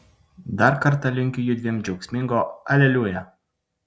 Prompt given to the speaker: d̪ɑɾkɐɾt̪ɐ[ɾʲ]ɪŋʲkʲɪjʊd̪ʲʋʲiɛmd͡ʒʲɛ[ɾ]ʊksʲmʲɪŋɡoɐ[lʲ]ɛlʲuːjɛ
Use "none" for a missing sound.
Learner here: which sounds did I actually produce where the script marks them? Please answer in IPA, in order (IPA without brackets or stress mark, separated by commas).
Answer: lʲ, none, lʲ